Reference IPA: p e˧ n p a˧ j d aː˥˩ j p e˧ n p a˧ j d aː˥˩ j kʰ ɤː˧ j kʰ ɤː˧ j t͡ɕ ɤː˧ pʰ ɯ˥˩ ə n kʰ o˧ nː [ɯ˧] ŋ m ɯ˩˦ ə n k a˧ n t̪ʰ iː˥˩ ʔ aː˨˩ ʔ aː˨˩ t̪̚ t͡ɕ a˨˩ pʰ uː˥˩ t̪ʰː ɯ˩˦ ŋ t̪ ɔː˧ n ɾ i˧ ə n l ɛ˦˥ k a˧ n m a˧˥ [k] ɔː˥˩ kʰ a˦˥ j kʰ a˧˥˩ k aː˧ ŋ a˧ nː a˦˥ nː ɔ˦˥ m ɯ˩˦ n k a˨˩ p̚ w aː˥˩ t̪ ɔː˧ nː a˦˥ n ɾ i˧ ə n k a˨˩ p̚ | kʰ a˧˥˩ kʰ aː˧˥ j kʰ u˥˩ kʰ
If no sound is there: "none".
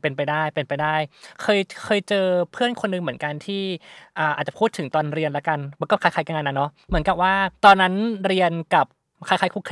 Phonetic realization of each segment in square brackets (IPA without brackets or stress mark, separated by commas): ɯ˧, k